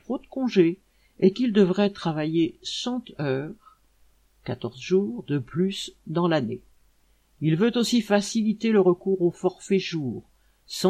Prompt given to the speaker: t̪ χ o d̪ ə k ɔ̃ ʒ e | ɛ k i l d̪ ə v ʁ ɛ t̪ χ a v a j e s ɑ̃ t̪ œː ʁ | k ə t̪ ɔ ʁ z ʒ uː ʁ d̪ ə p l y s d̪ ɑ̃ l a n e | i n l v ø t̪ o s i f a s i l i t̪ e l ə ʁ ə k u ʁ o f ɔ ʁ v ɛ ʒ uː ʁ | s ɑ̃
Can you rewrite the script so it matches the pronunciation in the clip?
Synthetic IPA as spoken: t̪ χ o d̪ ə k ɔ̃ ʒ e | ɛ k i l d̪ ə v ʁ ɛ t̪ χ a v a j e s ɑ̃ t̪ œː ʁ | k a t̪ ɔ ʁ z ʒ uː ʁ d̪ ə p l y s d̪ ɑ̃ l a n e | i l v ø t̪ o s i f a s i l i t̪ e l ə ʁ ə k u ʁ o f ɔ ʁ f ɛ ʒ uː ʁ | s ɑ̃